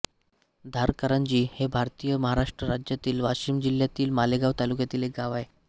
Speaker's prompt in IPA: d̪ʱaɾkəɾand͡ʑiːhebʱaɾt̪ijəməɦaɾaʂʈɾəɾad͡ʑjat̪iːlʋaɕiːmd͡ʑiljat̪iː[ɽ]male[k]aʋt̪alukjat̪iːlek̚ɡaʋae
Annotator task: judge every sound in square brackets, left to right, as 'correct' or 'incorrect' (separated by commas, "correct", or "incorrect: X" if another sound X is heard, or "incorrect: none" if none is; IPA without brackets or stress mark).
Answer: incorrect: l, incorrect: ɡ